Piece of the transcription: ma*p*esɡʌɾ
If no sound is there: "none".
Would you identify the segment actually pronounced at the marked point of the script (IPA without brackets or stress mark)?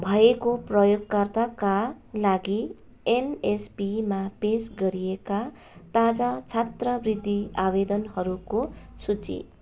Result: p